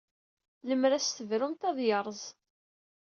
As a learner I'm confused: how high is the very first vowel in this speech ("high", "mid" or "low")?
mid